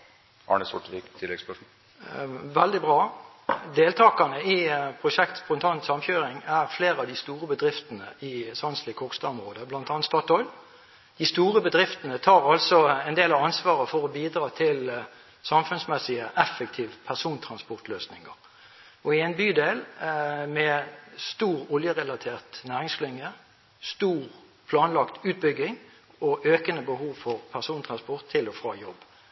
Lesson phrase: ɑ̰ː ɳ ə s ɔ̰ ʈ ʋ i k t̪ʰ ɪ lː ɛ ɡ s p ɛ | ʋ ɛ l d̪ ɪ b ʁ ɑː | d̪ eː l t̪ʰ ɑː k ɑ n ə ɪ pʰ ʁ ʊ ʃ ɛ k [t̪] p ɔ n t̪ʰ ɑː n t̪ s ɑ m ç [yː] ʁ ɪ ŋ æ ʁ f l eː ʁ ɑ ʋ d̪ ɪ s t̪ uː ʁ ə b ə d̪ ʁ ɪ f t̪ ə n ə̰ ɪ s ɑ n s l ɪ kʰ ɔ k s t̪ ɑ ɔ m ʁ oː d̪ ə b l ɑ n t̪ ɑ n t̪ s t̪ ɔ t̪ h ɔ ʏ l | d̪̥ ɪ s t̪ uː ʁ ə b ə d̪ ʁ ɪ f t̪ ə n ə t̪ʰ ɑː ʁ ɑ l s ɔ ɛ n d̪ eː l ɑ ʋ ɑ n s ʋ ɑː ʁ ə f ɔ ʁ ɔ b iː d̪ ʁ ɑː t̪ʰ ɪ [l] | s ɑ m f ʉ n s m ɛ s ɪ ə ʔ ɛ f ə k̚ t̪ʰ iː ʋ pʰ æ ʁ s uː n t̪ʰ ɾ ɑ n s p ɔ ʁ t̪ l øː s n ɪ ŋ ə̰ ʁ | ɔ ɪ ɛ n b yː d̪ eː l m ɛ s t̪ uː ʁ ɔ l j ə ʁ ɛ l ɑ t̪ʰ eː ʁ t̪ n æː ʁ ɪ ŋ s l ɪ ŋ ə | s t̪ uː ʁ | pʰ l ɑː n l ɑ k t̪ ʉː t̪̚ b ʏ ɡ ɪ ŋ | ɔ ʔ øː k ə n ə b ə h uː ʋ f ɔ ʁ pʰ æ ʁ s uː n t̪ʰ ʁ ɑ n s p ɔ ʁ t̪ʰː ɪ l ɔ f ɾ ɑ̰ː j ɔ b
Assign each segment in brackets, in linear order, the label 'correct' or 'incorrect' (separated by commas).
correct, incorrect, correct